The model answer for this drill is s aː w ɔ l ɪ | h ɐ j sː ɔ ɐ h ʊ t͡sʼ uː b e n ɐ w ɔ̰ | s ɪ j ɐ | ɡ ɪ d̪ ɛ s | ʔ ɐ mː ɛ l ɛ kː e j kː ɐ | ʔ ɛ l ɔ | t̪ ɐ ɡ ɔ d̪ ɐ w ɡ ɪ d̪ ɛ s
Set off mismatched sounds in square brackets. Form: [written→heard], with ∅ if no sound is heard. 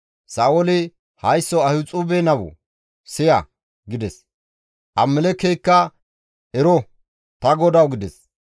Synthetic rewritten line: s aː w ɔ l ɪ | h ɐ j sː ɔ ɐ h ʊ t͡sʼ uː b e n ɐ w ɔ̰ | s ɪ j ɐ | ɡ ɪ d̪ ɛ s | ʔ ɐ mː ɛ l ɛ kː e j kː ɐ | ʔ ɛ [l→ɾ] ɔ | t̪ ɐ ɡ ɔ d̪ ɐ w ɡ ɪ d̪ ɛ s